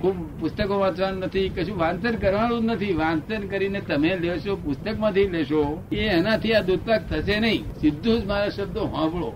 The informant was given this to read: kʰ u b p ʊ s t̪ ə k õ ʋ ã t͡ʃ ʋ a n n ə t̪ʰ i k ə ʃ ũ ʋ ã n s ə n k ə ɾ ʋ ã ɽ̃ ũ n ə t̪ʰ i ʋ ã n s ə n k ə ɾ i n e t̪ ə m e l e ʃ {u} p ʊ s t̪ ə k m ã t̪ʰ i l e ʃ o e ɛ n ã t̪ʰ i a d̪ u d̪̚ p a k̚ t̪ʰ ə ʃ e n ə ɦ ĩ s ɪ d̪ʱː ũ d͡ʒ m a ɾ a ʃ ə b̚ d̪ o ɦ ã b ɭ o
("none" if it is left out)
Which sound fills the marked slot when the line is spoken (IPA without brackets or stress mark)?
o